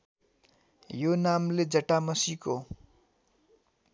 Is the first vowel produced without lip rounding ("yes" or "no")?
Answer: no